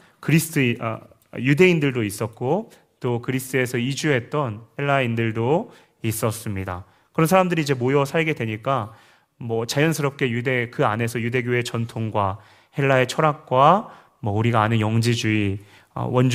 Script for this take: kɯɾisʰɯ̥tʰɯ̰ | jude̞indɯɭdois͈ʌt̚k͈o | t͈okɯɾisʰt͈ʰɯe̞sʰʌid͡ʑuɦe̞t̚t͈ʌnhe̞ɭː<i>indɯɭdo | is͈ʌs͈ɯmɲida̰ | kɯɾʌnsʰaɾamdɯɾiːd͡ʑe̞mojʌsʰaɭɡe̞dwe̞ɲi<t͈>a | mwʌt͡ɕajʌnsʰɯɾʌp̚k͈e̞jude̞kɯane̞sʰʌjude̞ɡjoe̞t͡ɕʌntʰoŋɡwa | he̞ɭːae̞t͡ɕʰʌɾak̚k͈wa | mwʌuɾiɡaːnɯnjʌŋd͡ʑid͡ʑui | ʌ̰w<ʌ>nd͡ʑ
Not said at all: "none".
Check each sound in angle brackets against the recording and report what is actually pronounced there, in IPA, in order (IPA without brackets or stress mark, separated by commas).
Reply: a, k͈, ʌ